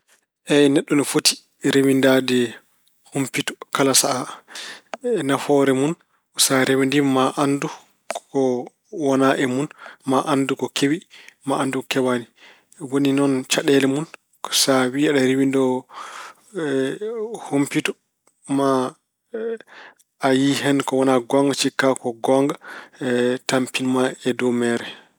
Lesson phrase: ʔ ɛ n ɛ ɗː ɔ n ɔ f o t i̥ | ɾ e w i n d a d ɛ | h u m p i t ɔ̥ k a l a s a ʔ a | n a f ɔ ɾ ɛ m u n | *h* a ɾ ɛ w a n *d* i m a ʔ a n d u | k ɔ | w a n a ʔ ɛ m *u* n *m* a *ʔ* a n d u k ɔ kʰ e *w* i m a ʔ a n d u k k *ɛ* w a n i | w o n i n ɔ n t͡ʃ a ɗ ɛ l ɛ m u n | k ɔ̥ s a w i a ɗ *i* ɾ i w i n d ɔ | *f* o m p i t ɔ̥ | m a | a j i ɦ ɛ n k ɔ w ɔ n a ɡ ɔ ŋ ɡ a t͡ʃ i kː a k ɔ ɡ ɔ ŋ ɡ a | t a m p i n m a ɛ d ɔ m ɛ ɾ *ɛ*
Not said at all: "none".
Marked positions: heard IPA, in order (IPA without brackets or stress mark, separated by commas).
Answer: s, d, u, m, ʔ, w, ɛ, a, h, ɛ